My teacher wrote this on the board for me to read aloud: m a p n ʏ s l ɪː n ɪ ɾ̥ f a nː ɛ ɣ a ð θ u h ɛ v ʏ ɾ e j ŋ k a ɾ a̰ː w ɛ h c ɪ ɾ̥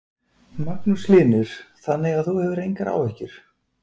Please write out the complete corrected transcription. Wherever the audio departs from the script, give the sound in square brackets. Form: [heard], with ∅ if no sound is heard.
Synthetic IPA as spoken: m a [k] n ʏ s l ɪː n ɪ ɾ̥ [θ] a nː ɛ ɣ a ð θ u h ɛ v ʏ ɾ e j ŋ k a ɾ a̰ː w ɛ h c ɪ ɾ̥